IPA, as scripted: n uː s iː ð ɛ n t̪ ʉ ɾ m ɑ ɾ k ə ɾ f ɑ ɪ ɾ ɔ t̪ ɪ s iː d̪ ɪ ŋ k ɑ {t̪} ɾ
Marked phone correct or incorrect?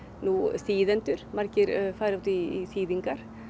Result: incorrect